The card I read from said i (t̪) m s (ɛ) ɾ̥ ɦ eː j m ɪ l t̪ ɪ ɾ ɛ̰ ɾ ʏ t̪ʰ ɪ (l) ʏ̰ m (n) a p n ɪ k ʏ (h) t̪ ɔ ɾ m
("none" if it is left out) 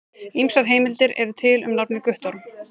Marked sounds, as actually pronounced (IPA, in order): none, a, l, n, h

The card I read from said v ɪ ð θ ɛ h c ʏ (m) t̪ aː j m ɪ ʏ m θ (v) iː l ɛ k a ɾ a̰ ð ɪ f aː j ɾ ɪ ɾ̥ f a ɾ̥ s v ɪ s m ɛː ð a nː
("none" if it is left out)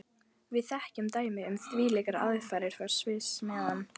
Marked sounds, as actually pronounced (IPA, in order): m, v

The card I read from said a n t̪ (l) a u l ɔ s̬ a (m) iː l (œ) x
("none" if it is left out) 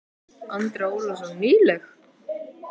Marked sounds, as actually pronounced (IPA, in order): ɾ, n, ɛ

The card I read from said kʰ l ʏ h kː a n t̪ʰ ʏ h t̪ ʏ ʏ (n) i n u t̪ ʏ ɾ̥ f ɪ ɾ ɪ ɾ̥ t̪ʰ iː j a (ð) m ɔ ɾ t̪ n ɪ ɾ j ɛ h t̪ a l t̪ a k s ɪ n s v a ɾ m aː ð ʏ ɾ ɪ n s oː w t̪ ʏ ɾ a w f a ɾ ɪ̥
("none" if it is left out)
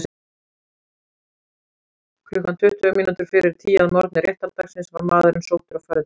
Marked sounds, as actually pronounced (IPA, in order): m, ð

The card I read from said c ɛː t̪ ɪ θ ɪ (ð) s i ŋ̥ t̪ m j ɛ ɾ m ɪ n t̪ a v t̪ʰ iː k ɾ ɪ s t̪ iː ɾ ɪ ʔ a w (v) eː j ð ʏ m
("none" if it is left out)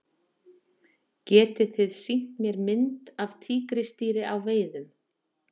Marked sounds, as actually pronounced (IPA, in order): ð, v

